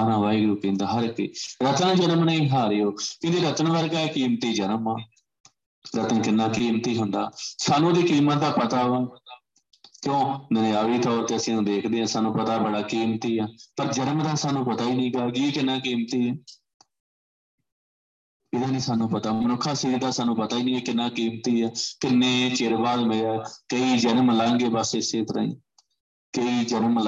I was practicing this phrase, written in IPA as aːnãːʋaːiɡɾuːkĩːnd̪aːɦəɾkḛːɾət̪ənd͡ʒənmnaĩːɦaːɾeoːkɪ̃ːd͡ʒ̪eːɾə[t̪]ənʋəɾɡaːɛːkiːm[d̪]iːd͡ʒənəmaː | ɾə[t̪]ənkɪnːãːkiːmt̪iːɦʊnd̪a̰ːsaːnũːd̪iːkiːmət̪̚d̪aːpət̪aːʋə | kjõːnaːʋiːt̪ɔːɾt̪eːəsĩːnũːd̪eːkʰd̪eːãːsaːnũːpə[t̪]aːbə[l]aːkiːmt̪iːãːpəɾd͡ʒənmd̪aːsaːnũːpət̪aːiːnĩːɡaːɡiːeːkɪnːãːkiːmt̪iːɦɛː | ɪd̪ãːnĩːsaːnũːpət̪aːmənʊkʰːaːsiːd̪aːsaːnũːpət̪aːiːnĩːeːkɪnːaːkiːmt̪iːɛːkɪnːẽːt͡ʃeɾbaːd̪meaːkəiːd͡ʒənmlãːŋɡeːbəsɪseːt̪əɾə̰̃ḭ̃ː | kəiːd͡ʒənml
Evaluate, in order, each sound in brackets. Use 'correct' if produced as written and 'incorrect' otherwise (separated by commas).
correct, incorrect, correct, correct, incorrect